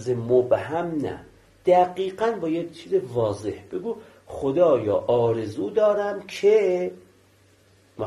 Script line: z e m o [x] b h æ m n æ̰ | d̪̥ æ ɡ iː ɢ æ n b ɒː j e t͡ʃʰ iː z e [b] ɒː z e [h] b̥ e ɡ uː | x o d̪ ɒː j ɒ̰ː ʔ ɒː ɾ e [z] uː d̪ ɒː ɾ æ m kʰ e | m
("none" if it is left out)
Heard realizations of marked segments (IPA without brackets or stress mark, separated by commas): none, v, h, z